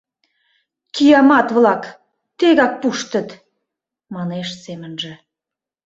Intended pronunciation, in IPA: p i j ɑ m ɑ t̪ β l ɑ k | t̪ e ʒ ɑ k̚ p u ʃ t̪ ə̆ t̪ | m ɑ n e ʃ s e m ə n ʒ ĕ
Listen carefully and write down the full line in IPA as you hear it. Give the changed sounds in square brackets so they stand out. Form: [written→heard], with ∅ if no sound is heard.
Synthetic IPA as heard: [p→k] i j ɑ m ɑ t̪ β l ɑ k | t̪ e [ʒ→ɣ] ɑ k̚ p u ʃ t̪ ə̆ t̪ | m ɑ n e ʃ s e m ə n ʒ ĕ